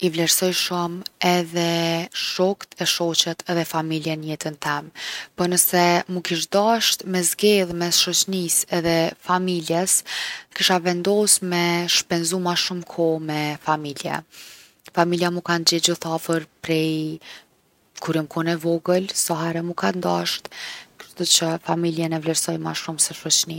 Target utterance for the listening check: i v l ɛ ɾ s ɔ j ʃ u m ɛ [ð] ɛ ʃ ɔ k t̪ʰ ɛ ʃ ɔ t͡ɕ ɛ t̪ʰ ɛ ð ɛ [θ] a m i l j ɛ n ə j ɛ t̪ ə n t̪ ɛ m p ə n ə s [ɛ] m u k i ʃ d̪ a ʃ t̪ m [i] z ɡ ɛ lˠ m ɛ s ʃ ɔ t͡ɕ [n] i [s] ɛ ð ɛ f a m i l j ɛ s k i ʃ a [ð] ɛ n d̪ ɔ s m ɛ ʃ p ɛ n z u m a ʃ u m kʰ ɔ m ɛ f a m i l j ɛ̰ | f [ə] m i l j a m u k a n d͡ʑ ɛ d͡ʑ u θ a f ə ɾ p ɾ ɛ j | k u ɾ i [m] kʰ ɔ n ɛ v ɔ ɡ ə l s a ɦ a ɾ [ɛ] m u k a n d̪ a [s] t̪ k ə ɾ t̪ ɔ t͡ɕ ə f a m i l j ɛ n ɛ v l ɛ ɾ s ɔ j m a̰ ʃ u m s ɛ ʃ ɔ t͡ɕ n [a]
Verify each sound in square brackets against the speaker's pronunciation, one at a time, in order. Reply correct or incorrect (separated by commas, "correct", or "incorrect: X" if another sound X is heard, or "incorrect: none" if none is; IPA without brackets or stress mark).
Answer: correct, incorrect: f, correct, incorrect: ɛ, correct, correct, incorrect: v, incorrect: a, correct, correct, incorrect: ʃ, incorrect: i